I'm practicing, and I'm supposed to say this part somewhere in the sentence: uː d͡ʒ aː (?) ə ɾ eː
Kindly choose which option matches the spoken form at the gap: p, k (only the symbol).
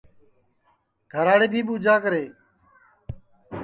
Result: k